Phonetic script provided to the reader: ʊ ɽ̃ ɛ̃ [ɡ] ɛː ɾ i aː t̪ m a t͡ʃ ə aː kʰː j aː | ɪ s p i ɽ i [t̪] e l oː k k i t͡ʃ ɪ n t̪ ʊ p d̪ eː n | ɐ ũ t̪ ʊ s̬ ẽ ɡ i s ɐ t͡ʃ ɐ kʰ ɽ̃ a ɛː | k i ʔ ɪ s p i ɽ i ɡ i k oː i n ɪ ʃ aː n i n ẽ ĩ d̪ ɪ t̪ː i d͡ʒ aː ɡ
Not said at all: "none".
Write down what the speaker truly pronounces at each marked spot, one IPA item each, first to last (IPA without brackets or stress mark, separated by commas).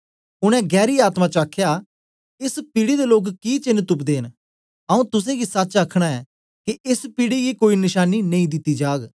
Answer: ɡ, d̪